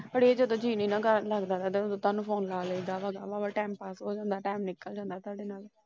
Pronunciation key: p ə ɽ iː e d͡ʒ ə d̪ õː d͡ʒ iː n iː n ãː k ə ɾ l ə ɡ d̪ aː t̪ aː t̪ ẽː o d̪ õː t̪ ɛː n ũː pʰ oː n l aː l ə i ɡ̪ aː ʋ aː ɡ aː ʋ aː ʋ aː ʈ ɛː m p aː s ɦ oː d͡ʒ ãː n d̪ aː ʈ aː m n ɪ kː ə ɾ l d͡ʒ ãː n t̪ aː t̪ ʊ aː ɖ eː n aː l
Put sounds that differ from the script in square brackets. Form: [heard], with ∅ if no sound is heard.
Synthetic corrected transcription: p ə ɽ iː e d͡ʒ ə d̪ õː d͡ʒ iː n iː n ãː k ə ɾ l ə ɡ d̪ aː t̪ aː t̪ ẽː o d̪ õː t̪ [aː] n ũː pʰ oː n l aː l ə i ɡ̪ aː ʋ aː ɡ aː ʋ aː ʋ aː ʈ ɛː m p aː s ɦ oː d͡ʒ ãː n d̪ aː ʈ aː m n ɪ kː ə [∅] l d͡ʒ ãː n [d̪] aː t̪ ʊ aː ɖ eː n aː l